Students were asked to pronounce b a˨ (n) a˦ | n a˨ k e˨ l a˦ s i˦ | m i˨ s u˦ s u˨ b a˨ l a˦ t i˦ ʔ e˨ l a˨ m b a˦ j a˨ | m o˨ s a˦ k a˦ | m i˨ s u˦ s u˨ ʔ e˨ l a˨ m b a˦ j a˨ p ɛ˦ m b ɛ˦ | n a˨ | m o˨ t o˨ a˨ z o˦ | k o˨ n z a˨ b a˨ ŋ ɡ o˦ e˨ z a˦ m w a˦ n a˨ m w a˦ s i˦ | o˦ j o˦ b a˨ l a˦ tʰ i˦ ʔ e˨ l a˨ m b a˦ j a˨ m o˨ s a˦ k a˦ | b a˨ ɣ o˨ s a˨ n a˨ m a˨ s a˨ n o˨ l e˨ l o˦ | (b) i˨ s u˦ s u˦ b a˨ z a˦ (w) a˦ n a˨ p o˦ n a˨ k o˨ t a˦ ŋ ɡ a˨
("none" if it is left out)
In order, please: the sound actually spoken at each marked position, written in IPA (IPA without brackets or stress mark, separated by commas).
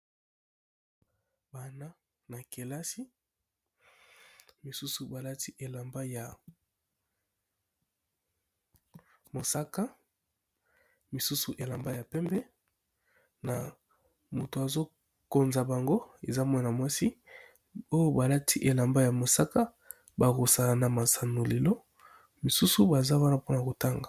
n, m, w